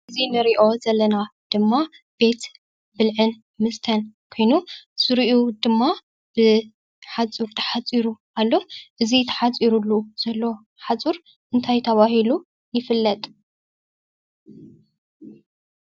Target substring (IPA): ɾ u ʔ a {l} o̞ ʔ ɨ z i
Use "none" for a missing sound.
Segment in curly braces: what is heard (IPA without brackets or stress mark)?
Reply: lː